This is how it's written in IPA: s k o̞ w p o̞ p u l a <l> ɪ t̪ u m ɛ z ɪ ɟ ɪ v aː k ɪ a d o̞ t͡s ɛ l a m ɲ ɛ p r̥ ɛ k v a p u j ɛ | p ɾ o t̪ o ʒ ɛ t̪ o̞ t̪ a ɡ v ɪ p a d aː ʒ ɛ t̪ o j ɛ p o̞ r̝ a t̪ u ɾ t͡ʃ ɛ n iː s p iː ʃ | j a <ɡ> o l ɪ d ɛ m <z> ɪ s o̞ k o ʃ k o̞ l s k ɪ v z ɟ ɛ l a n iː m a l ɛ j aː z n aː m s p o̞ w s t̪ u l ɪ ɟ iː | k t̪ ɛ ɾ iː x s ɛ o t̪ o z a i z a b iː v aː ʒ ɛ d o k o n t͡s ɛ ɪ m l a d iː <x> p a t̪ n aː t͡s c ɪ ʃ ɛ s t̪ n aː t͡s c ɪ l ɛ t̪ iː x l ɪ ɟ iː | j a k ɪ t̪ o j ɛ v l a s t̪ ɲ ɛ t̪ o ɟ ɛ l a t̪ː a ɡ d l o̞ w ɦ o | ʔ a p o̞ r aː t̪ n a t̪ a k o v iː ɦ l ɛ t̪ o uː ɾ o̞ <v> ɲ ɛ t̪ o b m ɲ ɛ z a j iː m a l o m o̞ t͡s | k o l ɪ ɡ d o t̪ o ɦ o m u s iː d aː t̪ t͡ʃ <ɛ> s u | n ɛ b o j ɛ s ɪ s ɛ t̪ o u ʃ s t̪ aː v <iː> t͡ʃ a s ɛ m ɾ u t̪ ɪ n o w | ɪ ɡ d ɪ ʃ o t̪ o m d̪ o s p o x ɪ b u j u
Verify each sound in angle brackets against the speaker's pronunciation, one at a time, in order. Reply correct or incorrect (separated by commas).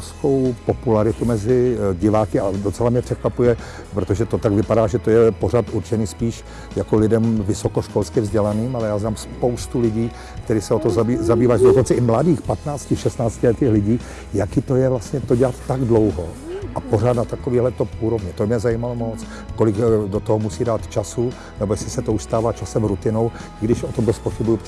incorrect, incorrect, incorrect, correct, correct, incorrect, incorrect